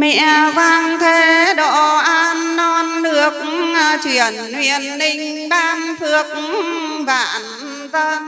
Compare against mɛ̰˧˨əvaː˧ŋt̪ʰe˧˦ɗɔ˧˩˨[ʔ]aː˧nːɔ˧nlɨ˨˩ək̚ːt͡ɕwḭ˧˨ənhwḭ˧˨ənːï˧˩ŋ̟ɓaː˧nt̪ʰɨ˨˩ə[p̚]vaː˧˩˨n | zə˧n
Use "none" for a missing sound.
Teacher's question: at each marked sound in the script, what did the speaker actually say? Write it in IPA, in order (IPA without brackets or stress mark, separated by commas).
ʔ, k̚